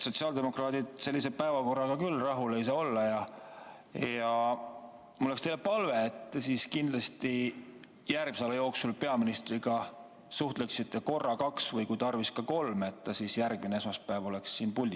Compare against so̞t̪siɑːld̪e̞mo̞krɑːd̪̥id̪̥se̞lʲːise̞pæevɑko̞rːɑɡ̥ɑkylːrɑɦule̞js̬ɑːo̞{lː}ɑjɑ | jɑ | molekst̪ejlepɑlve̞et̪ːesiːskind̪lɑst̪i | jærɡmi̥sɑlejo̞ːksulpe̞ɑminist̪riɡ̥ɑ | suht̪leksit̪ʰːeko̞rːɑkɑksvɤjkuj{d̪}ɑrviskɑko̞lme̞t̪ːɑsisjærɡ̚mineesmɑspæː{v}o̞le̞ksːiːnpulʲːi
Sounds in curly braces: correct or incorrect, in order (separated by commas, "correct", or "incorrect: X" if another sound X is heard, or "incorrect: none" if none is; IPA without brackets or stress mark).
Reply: correct, incorrect: t̪, correct